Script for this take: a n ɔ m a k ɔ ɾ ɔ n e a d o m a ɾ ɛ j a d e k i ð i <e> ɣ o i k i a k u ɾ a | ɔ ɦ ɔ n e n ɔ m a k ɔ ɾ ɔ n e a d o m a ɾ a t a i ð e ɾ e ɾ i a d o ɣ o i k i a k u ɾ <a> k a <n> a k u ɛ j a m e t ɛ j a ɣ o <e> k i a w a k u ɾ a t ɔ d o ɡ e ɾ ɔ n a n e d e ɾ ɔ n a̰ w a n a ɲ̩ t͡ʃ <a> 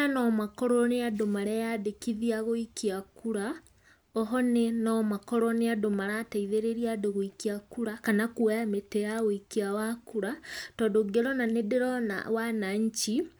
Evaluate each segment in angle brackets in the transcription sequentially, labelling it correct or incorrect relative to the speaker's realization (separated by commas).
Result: incorrect, correct, correct, incorrect, incorrect